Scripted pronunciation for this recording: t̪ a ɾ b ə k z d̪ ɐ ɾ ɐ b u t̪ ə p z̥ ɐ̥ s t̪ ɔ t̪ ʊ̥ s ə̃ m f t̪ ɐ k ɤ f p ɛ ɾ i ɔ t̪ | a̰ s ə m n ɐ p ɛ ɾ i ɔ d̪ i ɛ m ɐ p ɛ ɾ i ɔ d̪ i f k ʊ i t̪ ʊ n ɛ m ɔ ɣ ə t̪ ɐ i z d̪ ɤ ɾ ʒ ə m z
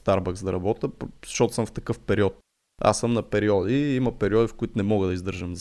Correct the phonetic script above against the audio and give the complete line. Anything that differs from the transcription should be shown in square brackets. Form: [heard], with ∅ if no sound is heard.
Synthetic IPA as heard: t̪ a ɾ b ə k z d̪ ɐ ɾ ɐ b [ɔ] t̪ ə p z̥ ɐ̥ [ʃ] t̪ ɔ t̪ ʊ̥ s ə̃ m f t̪ ɐ k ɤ f p ɛ ɾ i ɔ t̪ | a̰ s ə m n ɐ p ɛ ɾ i ɔ d̪ i [i] m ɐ p ɛ ɾ i ɔ d̪ i f k ʊ i t̪ ʊ n ɛ m ɔ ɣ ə [d̪] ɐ i z d̪ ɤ ɾ ʒ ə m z